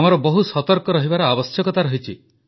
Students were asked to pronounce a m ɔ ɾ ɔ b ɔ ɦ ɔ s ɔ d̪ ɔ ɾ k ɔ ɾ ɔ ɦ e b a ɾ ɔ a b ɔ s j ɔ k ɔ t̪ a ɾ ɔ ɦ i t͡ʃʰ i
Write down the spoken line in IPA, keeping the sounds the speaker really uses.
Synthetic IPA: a m ɔ ɾ ɔ b ɔ ɦ u s ɔ t̪ ɔ ɾ k ɔ ɾ ɔ ɦ i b a ɾ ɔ a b ɔ s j ɔ k ɔ t̪ a ɾ ɔ ɦ i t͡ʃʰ i